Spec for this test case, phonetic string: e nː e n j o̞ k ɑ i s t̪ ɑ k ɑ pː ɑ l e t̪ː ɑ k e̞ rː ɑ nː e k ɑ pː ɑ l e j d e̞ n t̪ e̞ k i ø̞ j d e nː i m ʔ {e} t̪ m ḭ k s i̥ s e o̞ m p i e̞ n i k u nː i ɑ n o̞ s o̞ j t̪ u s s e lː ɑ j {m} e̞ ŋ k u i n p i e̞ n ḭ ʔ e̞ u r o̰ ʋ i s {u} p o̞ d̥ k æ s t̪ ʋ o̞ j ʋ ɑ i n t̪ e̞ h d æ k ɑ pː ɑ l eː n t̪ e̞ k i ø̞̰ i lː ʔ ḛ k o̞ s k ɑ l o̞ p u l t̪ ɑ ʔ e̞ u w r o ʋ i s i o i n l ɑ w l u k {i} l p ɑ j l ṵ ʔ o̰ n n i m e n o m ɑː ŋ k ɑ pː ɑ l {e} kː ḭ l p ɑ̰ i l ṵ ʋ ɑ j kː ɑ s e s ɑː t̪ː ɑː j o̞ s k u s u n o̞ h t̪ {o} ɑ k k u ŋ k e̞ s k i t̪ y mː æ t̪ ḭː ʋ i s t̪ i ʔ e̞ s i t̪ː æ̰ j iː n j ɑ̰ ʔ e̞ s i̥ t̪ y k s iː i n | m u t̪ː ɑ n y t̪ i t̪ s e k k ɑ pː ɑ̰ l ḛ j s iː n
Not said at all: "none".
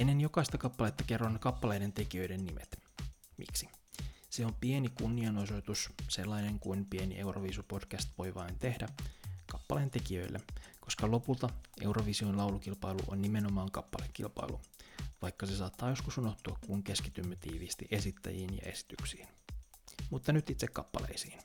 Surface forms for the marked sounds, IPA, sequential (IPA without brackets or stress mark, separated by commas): e, n, u, i, e, u